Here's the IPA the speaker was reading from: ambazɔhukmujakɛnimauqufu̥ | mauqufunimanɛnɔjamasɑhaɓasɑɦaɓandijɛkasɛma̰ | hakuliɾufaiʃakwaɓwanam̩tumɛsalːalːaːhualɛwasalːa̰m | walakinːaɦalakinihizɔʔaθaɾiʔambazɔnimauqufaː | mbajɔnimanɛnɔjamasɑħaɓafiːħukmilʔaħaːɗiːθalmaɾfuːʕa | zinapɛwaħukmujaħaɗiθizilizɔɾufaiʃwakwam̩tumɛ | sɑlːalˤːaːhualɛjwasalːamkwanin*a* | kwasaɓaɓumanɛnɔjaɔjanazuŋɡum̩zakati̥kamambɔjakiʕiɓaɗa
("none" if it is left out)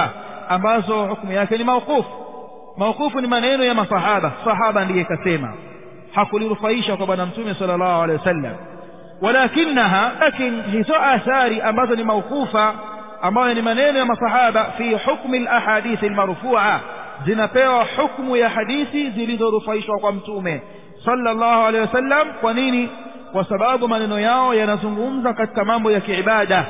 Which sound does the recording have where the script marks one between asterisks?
i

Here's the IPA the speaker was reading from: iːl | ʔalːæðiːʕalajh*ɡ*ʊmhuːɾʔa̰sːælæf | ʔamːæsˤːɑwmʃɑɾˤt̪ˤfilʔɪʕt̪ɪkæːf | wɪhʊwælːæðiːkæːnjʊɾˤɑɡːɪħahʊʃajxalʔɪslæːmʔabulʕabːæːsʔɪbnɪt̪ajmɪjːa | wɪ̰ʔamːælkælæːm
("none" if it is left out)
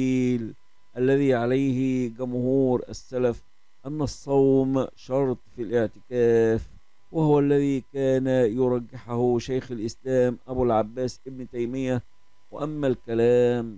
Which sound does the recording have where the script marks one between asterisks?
ɡ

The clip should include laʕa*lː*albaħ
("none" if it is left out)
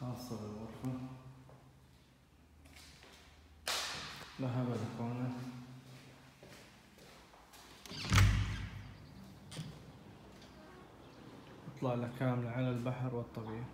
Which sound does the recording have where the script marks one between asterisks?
l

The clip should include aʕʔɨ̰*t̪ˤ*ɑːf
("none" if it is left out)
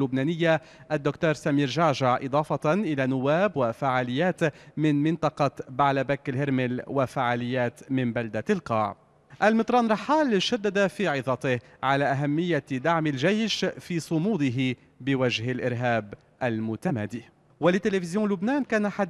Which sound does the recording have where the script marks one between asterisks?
d̪ˤ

